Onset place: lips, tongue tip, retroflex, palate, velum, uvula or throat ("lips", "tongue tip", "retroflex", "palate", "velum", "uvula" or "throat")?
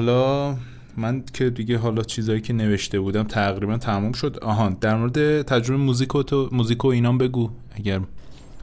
throat